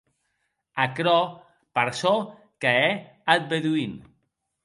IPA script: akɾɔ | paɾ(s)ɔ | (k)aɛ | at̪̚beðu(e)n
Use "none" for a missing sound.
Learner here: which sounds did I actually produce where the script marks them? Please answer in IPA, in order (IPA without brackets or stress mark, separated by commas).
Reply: s, k, i